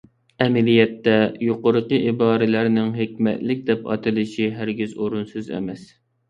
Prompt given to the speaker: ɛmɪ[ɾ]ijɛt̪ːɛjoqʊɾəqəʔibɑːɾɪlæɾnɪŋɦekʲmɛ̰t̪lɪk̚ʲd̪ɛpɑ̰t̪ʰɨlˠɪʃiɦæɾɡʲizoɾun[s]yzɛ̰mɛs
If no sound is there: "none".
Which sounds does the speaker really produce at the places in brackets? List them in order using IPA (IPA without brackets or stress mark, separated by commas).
l, s